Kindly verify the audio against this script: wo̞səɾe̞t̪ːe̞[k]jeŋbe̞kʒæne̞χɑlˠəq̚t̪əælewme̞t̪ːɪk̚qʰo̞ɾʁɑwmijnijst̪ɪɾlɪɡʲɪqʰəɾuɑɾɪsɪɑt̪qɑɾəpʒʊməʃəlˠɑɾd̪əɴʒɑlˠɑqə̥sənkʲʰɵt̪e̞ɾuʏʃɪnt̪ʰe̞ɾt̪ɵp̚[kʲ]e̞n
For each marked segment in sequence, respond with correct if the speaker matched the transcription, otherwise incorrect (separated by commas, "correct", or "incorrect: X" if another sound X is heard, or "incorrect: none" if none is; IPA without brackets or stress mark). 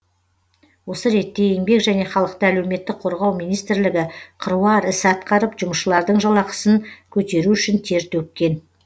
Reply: incorrect: none, correct